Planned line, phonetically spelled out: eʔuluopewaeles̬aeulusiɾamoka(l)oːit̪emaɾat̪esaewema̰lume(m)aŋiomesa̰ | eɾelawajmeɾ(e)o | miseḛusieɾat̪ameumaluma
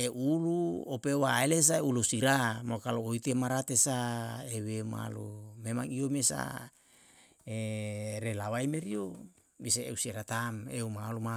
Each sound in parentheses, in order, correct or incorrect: correct, correct, incorrect

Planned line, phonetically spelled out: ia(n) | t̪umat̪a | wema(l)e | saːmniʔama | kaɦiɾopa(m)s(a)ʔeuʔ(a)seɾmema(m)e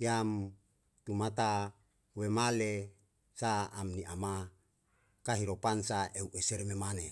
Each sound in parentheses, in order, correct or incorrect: incorrect, correct, incorrect, correct, incorrect, incorrect

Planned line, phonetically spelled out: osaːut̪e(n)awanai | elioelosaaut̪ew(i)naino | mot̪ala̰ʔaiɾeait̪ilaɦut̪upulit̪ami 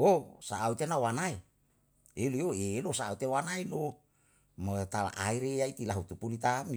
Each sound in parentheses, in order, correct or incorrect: correct, incorrect

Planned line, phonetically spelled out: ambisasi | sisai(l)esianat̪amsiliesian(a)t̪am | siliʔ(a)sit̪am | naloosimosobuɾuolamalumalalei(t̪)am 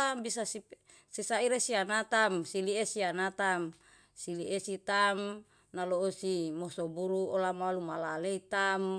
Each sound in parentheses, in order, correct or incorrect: incorrect, correct, incorrect, correct

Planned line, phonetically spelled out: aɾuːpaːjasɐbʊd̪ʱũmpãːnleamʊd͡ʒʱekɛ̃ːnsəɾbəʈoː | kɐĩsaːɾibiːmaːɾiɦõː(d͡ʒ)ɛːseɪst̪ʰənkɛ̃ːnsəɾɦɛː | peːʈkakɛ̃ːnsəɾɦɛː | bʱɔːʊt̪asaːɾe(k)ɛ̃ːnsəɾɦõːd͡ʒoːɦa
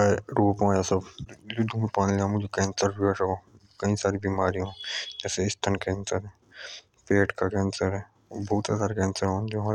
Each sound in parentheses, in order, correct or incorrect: correct, correct

